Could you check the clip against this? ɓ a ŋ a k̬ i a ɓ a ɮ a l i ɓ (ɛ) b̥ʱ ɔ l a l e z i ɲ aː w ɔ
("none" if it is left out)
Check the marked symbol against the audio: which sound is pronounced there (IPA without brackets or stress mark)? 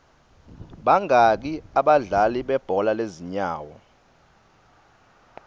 ɛ